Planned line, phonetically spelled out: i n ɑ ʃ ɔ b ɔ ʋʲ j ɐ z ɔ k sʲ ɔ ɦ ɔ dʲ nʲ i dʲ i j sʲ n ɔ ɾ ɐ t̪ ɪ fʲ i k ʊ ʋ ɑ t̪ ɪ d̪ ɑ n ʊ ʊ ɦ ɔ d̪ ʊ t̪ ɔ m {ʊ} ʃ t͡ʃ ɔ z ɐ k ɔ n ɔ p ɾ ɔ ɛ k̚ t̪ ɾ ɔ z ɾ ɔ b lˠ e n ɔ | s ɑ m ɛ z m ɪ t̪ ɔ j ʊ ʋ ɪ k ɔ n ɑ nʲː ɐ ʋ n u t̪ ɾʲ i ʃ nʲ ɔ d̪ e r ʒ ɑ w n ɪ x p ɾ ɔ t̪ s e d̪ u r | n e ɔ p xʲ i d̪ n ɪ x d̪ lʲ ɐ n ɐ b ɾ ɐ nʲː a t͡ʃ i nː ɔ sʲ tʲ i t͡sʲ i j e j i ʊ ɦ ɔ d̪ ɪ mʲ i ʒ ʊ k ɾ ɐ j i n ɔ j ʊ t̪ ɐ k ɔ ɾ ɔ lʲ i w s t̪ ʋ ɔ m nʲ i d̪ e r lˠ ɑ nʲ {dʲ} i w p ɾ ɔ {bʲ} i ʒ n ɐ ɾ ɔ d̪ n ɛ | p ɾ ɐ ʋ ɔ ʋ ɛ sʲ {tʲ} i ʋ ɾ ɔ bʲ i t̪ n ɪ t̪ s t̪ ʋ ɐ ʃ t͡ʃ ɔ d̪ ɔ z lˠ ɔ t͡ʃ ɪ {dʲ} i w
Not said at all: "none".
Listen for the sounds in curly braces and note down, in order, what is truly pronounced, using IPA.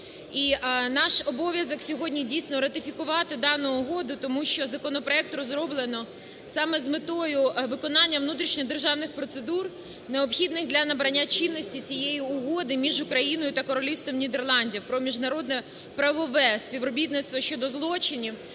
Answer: u, dʲ, mʲ, pʲ, nʲ

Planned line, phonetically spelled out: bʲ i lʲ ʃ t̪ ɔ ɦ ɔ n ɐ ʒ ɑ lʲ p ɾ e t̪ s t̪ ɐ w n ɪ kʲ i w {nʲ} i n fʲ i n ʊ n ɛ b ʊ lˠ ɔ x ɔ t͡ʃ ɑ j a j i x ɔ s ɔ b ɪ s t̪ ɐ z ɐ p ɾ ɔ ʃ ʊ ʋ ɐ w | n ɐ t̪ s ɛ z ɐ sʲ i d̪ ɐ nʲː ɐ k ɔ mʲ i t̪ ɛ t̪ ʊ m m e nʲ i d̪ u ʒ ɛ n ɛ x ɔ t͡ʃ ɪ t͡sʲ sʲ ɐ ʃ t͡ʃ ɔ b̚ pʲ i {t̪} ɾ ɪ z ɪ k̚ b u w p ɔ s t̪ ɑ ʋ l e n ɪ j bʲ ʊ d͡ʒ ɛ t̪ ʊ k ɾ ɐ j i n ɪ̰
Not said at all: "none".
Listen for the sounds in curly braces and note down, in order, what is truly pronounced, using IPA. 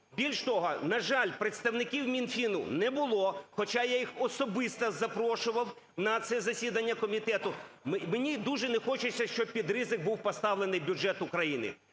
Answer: mʲ, d̪

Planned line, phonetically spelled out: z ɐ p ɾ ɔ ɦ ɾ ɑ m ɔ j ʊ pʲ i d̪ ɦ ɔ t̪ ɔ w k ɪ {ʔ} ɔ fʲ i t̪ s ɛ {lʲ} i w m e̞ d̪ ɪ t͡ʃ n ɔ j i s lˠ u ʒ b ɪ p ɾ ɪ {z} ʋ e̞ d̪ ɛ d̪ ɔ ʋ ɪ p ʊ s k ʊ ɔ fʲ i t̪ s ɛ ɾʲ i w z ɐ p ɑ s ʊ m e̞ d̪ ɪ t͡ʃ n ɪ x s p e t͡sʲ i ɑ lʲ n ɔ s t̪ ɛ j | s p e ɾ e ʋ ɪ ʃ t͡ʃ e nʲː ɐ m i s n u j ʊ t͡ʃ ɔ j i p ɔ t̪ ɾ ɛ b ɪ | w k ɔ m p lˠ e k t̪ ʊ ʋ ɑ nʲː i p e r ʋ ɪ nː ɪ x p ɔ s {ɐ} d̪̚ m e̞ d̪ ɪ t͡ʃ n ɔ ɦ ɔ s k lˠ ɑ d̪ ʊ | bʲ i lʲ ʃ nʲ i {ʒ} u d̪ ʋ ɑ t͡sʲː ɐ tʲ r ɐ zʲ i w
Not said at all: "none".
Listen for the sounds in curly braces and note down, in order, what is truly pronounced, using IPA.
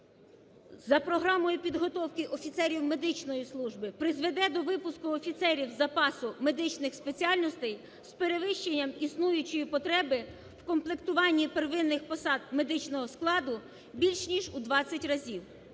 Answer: ʔ, ɾʲ, z, ɑ, ʒ

